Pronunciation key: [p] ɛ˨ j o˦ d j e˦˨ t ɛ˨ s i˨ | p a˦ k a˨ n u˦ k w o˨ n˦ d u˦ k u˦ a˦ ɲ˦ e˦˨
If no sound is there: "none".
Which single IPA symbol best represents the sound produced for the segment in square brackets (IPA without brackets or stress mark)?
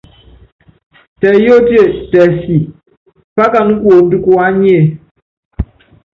t